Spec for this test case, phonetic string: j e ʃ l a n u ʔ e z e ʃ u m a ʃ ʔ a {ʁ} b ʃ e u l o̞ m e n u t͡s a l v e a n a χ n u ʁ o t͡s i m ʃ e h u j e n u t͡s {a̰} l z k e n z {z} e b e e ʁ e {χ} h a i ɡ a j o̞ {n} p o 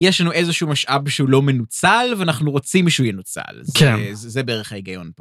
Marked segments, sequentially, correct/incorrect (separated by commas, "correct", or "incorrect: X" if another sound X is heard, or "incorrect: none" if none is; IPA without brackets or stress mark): incorrect: none, correct, correct, correct, correct